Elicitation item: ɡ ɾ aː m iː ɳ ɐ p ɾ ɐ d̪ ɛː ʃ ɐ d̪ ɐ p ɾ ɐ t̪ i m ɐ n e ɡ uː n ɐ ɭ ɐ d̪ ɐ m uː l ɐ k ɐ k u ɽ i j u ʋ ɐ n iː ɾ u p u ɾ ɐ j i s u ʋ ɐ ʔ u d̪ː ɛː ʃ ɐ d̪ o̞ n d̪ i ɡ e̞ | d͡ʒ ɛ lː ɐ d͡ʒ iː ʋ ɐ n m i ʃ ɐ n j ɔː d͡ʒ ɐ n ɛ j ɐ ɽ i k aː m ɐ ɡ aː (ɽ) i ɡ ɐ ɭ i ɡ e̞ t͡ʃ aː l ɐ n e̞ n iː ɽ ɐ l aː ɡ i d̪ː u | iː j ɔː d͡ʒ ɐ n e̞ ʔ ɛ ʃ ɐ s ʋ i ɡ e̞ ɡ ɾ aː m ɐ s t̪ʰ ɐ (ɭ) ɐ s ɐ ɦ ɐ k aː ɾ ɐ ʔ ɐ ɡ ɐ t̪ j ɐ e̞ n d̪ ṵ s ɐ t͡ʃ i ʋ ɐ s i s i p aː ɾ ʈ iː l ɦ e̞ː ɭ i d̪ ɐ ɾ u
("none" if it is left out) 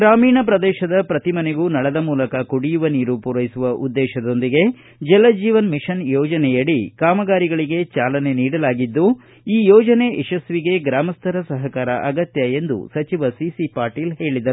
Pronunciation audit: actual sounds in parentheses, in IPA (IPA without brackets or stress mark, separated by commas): ɾ, ɾ